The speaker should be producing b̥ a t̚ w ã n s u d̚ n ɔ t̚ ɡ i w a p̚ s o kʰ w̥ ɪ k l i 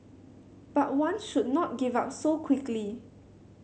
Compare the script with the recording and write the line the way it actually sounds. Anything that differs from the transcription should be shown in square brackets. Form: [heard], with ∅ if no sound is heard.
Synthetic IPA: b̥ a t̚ w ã n [ʃ] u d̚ n ɔ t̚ ɡ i [v] a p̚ s o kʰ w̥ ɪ k l i